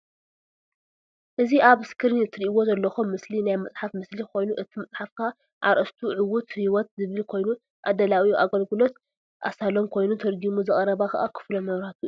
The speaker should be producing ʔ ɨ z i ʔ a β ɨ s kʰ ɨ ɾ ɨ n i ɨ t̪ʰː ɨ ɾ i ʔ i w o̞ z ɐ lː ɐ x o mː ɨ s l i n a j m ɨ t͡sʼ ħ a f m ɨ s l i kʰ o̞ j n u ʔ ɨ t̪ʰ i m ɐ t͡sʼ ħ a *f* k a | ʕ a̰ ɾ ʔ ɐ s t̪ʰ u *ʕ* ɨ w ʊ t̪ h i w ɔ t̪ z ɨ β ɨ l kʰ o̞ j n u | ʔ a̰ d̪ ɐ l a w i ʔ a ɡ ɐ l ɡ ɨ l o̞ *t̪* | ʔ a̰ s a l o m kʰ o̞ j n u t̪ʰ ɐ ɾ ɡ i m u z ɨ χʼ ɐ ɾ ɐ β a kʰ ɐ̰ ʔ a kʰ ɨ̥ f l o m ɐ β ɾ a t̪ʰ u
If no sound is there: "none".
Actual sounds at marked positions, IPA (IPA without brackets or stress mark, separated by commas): f, ʕ, t̪